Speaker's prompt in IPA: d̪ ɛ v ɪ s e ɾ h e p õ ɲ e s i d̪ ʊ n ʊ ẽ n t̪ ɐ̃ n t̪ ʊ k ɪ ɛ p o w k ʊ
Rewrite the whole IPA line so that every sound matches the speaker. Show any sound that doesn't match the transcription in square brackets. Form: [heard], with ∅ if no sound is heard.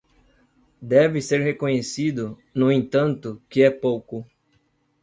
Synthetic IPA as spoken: d̪ ɛ v ɪ s e ɾ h e [k] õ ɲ e s i d̪ ʊ n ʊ ẽ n t̪ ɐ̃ n t̪ ʊ k ɪ ɛ p o w k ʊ